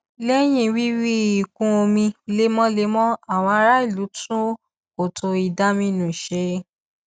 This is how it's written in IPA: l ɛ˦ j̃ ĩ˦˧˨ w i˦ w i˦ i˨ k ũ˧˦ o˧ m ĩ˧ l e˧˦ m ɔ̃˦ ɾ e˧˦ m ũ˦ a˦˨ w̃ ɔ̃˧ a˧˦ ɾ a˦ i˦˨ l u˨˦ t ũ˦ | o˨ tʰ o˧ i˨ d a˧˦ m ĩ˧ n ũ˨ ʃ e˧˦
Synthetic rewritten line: l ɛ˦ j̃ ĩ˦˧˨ w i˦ w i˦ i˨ k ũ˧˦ o˧ m ĩ˧ l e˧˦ m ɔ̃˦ l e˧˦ m ɔ̃˦ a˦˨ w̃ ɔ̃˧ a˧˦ ɾ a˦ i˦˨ l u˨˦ t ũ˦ | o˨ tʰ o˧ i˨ d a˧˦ m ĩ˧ n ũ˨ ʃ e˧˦